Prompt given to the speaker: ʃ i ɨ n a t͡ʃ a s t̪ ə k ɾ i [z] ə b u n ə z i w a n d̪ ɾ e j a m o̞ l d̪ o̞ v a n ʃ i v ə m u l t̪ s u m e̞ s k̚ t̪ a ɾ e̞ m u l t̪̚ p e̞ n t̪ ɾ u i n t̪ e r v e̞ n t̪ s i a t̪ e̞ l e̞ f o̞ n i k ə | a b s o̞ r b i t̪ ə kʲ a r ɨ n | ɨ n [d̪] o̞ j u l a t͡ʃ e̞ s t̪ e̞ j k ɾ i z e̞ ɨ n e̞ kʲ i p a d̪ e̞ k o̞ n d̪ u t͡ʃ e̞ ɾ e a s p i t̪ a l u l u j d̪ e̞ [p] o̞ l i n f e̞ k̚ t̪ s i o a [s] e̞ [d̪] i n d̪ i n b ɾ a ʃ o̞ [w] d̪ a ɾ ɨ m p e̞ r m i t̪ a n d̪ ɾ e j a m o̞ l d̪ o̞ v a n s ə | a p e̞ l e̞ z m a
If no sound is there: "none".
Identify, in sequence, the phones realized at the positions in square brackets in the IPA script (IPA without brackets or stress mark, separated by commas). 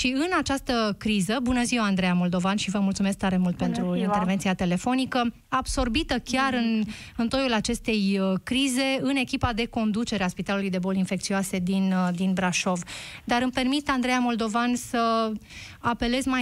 z, t̪, b, s, d̪, v